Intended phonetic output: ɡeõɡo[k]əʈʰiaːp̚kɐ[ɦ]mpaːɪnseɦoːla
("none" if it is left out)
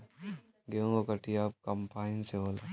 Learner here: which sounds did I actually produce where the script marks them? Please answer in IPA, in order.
k, none

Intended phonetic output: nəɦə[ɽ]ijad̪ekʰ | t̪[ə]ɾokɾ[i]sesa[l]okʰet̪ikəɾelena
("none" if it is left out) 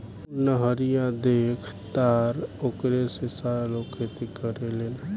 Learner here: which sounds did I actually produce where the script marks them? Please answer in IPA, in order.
ɾ, a, e, l

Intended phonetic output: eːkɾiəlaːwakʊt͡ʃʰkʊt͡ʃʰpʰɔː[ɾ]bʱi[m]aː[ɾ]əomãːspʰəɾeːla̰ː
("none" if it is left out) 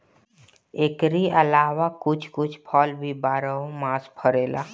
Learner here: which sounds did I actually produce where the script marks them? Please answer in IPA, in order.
l, b, ɾ

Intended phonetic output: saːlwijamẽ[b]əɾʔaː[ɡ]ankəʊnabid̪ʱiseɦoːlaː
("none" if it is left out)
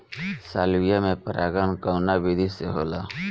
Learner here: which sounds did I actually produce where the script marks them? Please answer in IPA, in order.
p, ɡ

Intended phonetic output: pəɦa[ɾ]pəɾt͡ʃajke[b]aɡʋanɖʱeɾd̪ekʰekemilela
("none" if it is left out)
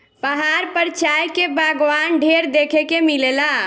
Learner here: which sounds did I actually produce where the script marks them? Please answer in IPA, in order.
ɾ, b

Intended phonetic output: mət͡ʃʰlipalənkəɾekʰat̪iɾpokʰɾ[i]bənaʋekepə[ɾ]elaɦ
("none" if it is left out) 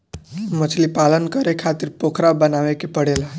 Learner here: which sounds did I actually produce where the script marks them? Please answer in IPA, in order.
a, ɽ

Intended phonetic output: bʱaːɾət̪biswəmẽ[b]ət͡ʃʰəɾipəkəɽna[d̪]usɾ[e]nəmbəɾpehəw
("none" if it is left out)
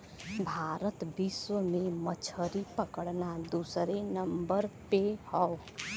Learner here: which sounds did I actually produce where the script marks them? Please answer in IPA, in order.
m, d̪, e

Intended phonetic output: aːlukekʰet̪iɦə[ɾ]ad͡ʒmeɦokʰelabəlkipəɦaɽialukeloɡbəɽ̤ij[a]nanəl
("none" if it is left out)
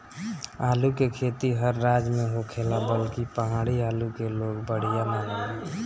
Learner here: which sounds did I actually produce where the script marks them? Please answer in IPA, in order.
ɾː, a

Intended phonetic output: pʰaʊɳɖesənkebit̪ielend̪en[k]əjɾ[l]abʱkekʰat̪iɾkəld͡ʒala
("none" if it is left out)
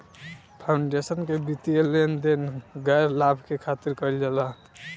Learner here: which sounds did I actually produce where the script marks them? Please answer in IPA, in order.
ɡ, l

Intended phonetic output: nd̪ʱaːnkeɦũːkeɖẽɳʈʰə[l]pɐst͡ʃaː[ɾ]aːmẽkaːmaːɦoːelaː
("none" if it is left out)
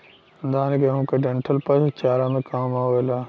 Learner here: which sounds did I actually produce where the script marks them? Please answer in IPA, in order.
l, ɾ

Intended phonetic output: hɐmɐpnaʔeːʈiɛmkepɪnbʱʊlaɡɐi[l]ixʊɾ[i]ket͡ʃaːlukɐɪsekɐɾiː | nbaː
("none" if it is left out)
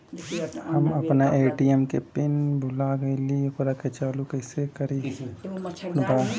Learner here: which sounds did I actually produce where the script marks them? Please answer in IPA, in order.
l, a

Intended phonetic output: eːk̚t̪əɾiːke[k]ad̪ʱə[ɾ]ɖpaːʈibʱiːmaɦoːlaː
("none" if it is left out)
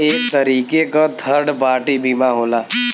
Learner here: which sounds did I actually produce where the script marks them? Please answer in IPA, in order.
k, ɾ

